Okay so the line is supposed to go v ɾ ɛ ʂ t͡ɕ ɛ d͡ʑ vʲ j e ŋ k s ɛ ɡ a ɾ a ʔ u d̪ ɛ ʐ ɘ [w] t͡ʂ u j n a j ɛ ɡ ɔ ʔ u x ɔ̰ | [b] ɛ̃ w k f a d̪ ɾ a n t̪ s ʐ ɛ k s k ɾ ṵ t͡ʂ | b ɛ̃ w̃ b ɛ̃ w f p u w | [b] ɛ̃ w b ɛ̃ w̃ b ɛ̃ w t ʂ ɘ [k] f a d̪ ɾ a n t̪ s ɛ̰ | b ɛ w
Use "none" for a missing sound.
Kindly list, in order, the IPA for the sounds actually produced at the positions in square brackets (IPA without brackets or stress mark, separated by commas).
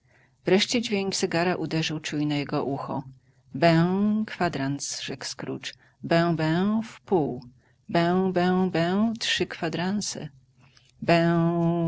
w, b, b, k